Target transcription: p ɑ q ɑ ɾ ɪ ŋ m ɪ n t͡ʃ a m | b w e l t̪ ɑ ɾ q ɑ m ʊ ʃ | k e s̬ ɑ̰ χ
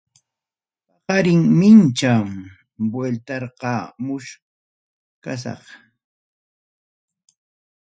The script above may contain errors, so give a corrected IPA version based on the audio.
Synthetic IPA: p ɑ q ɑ ɾ ɪ ŋ m ɪ n t͡ʃ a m | b w e l t̪ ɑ ɾ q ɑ m ʊ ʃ | k a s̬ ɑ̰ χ